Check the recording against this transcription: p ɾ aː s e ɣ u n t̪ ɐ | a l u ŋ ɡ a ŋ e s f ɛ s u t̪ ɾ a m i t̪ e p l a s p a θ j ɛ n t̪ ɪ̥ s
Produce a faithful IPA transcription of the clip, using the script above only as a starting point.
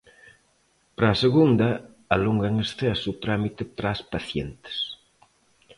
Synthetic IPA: p ɾ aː s e ɣ u n d̪ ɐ | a l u ŋ ɡ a ŋ e s θ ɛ s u t̪ ɾ a m i t̪ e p ɾ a s p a θ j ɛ n t̪ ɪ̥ s